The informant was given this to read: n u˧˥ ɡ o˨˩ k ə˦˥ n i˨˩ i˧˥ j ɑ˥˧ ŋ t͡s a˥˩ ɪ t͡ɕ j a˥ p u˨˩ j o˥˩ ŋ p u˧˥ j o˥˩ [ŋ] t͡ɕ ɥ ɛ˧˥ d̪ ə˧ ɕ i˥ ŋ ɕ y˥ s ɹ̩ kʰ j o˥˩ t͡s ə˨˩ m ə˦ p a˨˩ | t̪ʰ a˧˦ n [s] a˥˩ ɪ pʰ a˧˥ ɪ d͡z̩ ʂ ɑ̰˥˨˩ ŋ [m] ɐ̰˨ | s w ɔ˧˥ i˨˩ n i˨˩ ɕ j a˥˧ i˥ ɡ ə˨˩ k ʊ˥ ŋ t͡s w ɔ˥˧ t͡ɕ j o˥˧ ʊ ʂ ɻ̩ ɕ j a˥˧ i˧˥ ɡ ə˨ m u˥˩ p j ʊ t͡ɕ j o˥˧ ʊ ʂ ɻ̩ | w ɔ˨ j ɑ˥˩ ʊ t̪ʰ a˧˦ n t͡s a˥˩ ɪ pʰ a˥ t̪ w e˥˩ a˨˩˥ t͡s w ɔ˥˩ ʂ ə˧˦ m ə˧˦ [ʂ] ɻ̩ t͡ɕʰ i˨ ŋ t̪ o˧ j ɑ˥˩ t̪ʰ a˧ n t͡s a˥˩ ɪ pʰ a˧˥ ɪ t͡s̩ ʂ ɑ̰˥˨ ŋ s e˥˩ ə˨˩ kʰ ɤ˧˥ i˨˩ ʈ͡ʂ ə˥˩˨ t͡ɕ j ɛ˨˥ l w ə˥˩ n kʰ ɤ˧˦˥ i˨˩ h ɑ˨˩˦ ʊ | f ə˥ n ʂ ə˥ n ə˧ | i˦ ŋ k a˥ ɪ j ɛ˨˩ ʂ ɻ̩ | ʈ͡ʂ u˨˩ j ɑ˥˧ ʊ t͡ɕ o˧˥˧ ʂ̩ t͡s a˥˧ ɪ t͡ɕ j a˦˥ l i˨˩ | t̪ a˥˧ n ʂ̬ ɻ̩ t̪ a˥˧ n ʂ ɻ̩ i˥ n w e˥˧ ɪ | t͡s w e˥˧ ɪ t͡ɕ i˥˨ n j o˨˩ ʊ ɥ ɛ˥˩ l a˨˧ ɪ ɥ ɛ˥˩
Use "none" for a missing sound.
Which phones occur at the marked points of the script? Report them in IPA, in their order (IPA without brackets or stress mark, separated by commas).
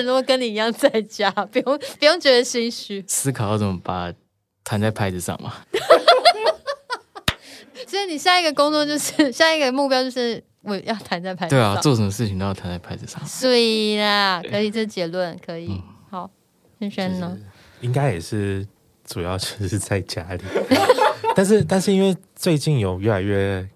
ŋ, t͡s, m, ʂ